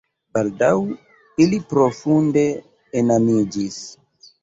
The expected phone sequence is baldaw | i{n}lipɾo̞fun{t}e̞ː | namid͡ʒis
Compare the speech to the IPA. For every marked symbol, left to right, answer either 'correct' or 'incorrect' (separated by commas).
incorrect, incorrect